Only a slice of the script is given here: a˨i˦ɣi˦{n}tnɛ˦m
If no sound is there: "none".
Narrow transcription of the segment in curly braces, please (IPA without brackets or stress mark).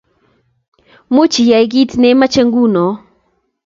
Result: none